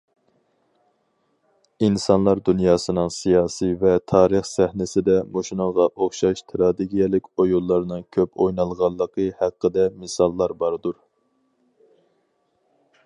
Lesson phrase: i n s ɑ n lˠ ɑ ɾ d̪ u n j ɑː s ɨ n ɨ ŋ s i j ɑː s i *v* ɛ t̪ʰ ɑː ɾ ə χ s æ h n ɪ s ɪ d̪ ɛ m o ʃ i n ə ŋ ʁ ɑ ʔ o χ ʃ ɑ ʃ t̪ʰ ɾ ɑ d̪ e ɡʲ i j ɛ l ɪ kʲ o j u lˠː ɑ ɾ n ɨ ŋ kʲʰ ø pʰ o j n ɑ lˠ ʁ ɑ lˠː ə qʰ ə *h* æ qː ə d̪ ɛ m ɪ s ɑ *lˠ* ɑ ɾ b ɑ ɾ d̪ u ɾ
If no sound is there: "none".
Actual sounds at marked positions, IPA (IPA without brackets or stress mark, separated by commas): v, h, lˠː